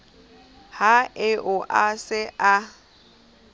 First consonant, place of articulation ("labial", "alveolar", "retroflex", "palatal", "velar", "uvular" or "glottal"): glottal